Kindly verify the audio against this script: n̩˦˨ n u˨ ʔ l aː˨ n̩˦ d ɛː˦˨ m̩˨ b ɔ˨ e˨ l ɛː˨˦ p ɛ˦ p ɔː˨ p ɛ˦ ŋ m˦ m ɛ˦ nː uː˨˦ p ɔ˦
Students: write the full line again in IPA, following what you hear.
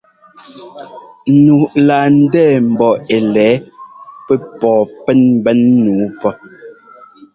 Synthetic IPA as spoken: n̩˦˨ n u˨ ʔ l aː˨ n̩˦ d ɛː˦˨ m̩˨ b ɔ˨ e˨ l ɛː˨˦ p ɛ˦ p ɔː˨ p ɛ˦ n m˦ b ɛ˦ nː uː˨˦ p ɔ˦